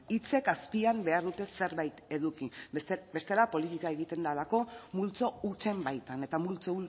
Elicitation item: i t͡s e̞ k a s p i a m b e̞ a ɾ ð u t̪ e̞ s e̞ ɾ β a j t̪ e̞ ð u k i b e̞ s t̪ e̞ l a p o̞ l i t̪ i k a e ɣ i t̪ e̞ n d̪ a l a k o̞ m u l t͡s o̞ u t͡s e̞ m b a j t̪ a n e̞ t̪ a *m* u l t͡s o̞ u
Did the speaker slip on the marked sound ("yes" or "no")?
no